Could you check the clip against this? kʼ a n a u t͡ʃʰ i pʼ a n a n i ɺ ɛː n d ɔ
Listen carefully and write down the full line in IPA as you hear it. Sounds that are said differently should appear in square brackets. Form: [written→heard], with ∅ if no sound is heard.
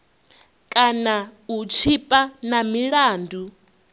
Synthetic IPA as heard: kʼ a n a u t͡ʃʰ i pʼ a n a [n→m] i ɺ [ɛː→aː] n d [ɔ→u]